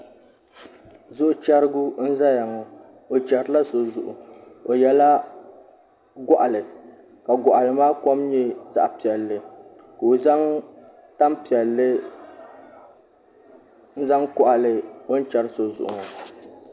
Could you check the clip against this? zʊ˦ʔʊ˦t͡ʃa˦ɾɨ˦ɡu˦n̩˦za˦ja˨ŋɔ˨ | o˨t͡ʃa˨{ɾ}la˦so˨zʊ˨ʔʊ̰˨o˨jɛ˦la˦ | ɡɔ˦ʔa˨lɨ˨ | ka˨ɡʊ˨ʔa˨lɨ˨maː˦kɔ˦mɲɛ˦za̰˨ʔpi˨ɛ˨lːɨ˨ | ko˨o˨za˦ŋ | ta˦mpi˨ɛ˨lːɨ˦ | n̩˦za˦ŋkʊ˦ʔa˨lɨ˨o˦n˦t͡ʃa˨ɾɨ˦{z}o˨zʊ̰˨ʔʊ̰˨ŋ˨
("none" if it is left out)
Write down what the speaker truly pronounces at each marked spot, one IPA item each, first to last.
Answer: ɾ, s

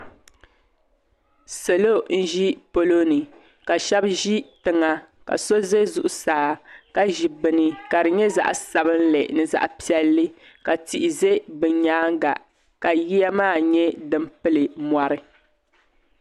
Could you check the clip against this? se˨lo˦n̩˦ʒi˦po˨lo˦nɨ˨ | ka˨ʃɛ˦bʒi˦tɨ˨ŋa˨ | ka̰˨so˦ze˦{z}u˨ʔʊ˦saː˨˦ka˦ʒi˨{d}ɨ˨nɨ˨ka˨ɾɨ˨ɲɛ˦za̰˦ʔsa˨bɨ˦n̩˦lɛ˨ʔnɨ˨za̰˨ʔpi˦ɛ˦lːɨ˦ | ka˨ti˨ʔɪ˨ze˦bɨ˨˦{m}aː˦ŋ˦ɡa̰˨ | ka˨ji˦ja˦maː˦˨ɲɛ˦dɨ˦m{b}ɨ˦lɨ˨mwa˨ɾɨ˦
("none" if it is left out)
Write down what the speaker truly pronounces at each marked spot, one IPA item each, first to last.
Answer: z, b, ɲ, p

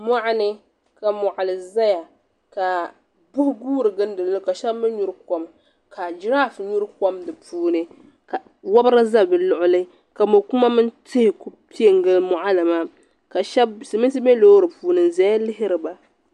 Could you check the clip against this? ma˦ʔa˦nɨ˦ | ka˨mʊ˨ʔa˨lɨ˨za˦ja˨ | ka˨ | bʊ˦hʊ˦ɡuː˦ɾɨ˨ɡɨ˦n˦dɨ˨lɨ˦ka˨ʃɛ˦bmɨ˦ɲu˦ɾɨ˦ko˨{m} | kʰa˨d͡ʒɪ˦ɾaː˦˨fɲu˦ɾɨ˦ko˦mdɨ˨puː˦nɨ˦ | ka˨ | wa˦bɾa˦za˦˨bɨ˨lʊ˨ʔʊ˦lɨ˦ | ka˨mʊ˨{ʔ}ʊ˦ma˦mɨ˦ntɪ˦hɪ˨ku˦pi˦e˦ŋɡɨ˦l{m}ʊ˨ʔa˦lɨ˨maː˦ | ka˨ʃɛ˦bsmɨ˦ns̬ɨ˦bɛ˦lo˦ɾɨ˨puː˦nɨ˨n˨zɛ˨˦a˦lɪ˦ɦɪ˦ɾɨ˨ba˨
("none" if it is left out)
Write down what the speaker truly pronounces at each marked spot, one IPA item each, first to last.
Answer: m, k, m

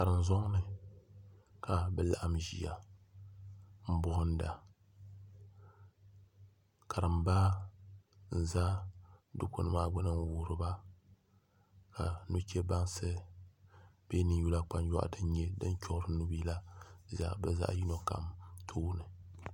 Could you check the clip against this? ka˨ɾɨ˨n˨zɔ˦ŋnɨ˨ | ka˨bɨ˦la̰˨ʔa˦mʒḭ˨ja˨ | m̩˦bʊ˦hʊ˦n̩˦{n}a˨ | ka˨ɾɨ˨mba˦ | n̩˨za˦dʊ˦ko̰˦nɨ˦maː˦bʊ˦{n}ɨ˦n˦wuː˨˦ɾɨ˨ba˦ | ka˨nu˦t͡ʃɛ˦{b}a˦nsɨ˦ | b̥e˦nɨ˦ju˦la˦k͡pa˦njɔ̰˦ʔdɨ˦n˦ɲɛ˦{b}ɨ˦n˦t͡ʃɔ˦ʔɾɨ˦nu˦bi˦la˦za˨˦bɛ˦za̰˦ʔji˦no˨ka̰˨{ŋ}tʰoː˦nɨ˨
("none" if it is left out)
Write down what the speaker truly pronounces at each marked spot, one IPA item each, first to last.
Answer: d, n, b, d, m

